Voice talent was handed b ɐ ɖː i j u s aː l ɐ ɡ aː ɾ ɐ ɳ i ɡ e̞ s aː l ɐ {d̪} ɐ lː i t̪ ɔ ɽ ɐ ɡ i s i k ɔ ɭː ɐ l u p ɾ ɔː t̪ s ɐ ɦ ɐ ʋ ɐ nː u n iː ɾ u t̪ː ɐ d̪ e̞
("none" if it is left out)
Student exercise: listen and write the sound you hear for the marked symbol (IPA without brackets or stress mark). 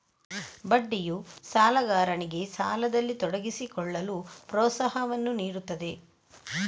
d̪